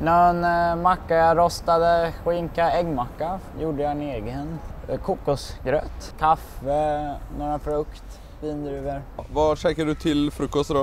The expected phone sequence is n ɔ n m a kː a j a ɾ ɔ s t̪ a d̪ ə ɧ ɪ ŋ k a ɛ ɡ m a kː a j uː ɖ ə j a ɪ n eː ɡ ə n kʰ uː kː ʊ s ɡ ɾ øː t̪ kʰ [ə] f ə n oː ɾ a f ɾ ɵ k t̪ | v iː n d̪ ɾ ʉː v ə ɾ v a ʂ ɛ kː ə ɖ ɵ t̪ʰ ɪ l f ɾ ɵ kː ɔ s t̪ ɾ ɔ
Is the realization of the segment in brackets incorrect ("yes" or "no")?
yes